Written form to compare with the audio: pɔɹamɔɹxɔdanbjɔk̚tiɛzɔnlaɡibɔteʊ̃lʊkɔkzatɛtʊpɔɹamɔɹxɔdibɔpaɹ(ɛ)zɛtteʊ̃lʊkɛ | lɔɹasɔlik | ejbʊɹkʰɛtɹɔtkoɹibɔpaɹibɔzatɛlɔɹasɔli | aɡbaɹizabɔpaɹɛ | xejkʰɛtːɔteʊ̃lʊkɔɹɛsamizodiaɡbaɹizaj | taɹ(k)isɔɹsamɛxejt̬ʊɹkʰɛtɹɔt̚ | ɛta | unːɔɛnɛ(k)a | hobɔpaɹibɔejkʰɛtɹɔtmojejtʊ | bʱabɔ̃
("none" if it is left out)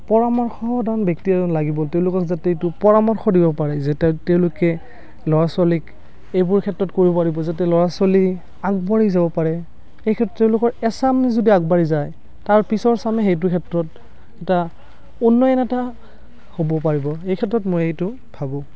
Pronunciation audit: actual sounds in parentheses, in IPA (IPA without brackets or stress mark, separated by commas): ɛ, p, t